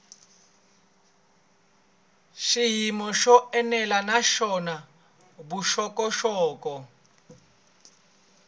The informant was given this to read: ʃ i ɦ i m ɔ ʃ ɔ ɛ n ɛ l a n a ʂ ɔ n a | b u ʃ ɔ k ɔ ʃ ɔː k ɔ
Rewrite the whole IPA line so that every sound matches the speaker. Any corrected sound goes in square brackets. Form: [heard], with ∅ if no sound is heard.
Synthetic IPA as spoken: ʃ i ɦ i m ɔ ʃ ɔ ɛ n ɛ l a n a [ʃ] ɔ n a | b u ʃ ɔ k ɔ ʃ ɔː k ɔ